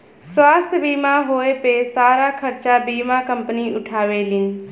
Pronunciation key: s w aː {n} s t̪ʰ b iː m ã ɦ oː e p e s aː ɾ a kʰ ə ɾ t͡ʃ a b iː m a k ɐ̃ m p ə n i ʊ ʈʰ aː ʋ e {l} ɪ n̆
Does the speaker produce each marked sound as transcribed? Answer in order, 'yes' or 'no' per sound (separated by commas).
no, yes